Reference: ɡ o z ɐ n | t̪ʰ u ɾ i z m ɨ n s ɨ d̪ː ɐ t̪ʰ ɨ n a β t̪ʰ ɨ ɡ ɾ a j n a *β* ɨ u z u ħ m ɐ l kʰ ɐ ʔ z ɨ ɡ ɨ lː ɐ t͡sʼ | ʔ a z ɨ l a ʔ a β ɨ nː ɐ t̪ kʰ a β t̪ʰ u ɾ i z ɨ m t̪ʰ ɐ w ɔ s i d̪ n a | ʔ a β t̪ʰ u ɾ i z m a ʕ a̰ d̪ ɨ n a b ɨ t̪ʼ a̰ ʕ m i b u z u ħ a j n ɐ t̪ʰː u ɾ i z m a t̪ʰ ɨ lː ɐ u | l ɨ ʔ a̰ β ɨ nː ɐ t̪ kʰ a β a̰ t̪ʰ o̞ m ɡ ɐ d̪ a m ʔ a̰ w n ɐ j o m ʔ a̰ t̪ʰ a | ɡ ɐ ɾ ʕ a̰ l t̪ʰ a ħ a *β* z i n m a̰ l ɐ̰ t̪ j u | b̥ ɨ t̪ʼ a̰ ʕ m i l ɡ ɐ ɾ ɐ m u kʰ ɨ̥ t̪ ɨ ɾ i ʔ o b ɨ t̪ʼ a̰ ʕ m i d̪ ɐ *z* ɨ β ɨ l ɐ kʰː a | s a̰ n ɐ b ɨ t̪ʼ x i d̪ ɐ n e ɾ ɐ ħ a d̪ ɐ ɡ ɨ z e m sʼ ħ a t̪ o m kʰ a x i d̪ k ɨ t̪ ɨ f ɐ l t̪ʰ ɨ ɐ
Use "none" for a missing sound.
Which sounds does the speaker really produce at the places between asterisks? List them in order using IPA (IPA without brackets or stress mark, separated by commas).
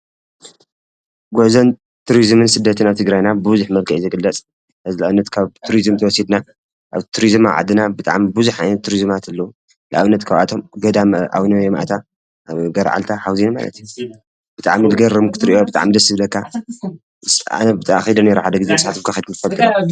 b, w, s